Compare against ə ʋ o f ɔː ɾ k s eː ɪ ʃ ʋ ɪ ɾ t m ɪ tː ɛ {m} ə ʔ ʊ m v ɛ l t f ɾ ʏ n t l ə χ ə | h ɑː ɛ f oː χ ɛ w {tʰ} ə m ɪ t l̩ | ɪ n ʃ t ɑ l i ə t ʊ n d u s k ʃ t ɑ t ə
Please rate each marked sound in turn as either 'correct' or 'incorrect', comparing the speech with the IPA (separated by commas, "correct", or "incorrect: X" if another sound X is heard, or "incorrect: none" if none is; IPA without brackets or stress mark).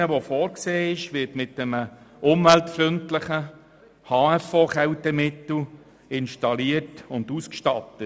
correct, incorrect: t